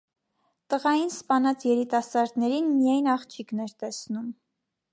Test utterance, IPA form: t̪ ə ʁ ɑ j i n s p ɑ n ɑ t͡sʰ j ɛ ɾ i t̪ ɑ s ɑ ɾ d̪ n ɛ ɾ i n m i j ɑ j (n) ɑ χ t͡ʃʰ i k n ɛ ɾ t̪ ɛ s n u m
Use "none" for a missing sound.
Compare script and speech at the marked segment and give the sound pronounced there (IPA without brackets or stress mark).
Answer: n